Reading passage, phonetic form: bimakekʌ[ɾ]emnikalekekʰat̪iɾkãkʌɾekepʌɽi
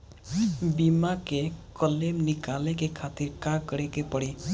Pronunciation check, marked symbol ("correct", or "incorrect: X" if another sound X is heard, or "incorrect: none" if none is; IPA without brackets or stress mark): incorrect: l